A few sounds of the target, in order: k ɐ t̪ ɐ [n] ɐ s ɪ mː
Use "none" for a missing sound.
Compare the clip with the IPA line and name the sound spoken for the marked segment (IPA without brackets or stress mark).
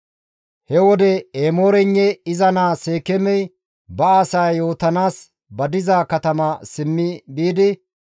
m